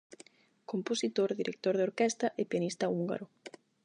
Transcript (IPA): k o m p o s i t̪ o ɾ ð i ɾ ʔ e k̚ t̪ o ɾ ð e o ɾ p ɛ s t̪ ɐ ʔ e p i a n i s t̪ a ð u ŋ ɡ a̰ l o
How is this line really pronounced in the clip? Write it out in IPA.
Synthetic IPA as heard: k o m p o s i t̪ o ɾ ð i ɾ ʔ e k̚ t̪ o ɾ ð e o ɾ k ɛ s t̪ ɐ ʔ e p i a n i s t̪ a u ŋ ɡ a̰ ɾ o

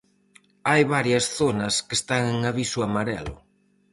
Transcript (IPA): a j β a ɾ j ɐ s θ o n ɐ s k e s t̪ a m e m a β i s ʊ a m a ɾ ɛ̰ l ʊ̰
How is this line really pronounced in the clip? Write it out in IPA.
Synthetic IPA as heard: a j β a ɾ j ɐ s θ o n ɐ s k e s t̪ a ŋ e ŋ a β i s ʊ a m a ɾ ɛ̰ l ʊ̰

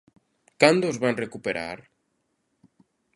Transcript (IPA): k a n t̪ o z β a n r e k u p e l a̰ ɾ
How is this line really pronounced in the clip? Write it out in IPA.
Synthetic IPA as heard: k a n d̪ o z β a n r e k u p e ɾ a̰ ɾ

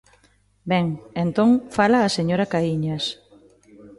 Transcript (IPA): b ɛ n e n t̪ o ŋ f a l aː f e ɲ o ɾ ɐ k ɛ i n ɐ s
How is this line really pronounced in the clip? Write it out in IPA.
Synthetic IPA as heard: b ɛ ŋ e n t̪ o ŋ f a l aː s e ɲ o ɾ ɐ k a i ɲ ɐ s

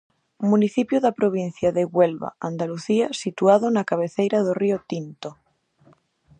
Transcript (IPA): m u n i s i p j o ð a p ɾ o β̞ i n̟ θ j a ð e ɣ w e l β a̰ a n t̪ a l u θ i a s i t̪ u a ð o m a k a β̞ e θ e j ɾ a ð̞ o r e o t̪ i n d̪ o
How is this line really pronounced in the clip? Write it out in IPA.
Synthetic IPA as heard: m u n i θ i p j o ð a p ɾ o β̞ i n̟ θ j a ð e ɣ w e l β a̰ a n d̪ a l u θ i a s i t̪ u a ð o n a k a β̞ e θ e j ɾ a ð̞ o r i o t̪ i n t̪ o

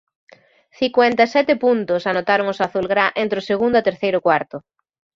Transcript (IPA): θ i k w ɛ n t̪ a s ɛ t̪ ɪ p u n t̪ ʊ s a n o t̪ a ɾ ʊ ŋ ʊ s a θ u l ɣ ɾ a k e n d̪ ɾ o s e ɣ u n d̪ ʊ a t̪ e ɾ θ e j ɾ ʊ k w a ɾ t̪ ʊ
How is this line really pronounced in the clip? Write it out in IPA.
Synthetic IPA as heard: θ i k w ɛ n t̪ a s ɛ t̪ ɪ p u n t̪ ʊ s a n o t̪ a ɾ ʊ ŋ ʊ s a θ u l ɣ ɾ a ʔ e n t̪ ɾ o s e ɣ u n d̪ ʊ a t̪ e ɾ θ e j ɾ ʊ k w a ɾ t̪ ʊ

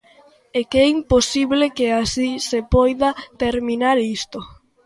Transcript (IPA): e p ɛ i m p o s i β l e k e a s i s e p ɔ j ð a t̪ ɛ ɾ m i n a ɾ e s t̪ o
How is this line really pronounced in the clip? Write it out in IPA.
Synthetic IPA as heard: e k ɛ i m p o s i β l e k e a s i s e p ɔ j ð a t̪ e ɾ m i n a ɾ i s t̪ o

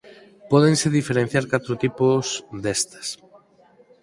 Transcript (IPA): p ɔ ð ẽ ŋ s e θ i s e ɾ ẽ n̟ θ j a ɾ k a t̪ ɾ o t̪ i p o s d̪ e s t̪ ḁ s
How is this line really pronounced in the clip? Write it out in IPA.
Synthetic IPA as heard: p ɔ ð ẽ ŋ s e ð i f e ɾ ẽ n̟ θ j a ɾ k a t̪ ɾ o t̪ i p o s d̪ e s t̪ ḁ s

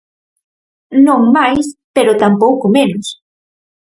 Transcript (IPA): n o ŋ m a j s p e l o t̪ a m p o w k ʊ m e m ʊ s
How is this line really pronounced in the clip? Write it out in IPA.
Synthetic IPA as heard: n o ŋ m a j s p e ɾ o t̪ a m p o w k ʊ m e n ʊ s

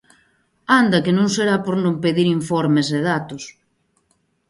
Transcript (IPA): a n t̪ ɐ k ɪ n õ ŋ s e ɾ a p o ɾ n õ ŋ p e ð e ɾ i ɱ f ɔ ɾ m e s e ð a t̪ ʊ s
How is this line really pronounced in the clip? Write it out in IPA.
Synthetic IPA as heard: a n d̪ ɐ k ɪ n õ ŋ s e ɾ a p o ɾ n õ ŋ p e ð i ɾ i ɱ f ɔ ɾ m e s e ð a t̪ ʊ s

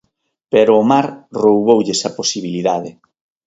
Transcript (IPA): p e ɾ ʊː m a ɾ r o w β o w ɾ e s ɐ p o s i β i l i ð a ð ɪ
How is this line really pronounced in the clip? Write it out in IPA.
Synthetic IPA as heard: p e ɾ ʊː m a ɾ r o w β o w ʎ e s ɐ p o s i β i l i ð a ð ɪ

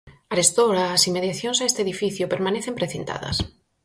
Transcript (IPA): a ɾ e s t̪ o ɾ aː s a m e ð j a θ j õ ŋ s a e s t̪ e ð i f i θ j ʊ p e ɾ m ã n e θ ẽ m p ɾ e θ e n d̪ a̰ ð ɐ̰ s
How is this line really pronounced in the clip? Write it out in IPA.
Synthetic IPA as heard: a ɾ e s t̪ o ɾ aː s i m e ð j a θ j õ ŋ s a e s t̪ e ð i f i θ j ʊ p e ɾ m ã n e θ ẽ m p ɾ e θ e n t̪ a̰ ð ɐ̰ s

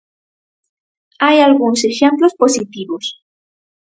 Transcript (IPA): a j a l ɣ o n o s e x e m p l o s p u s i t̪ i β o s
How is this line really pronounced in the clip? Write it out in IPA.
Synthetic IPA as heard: a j a l ɣ u n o s e x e m p l o s p o s i t̪ i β o s

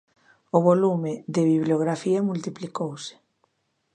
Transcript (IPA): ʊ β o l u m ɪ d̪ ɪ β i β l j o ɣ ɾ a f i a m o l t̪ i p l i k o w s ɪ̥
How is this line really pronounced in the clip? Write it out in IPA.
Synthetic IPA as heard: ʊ β o l u m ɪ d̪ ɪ β i β l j o ɣ ɾ a f i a m u l t̪ i p l i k o w s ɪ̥

